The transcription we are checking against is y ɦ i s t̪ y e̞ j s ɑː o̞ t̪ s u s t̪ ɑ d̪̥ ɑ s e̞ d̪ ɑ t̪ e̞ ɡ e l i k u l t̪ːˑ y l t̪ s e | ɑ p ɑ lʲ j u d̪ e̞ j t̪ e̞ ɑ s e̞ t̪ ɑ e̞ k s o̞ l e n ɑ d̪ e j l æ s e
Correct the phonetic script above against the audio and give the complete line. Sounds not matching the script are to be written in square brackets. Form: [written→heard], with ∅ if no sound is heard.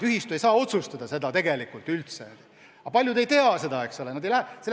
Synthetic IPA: y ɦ i s t̪ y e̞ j s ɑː o̞ t̪ s u s t̪ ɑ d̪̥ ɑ s e̞ d̪ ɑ t̪ e̞ ɡ e l i k u l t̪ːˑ y l t̪ s e | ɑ p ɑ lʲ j u d̪ e̞ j t̪ e̞ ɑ s e̞ [t̪→d̪] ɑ e̞ k s o̞ l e n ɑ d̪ e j l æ s e